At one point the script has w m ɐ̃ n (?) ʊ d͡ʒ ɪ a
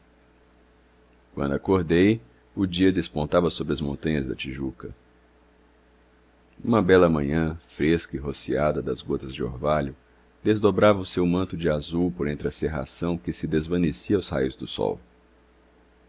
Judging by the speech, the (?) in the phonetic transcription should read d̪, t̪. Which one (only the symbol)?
t̪